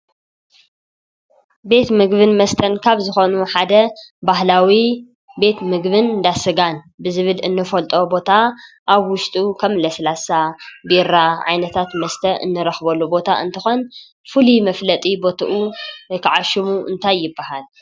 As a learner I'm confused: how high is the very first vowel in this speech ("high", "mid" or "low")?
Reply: mid